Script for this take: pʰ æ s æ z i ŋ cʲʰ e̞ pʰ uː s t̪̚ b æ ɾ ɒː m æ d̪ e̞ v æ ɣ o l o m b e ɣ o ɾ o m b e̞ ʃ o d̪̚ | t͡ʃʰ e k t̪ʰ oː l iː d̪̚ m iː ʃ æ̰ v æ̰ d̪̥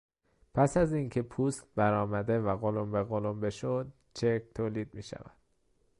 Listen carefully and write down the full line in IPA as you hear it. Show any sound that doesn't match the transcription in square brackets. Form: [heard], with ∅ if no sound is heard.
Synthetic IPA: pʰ æ s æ z i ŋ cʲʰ e̞ pʰ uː s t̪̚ b æ ɾ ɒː m æ d̪ e̞ v æ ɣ o l o m b e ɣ o [l] o m b e̞ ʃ o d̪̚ | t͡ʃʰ e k t̪ʰ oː l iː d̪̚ m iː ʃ æ̰ v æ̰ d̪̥